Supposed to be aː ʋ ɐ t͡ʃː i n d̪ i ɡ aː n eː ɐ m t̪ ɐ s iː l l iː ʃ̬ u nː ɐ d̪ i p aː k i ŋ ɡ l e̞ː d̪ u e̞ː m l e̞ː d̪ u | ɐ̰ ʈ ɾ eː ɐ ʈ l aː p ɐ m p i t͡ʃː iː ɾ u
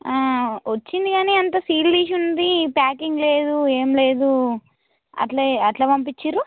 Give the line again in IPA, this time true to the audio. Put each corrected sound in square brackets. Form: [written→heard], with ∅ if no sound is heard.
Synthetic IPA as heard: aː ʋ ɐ t͡ʃː i n d̪ i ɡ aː n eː ɐ [m→n] t̪ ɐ s iː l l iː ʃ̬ u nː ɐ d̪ i p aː k i ŋ ɡ l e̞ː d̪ u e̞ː m l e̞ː d̪ u | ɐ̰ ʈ [ɾ→l] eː ɐ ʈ l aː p ɐ m p i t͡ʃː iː ɾ u